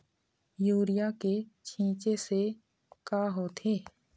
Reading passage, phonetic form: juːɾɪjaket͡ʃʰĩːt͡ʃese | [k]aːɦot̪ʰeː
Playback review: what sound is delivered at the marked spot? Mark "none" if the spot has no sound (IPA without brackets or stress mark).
k